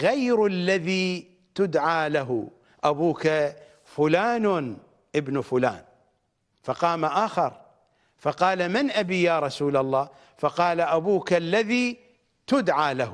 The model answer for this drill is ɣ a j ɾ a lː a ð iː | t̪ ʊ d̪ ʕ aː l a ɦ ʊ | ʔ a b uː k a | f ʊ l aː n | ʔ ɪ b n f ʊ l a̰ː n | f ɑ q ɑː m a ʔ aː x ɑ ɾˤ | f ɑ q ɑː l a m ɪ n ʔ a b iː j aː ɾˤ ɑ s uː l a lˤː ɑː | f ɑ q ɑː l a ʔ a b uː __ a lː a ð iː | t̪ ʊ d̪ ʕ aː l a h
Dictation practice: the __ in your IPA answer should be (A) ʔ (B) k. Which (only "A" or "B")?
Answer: B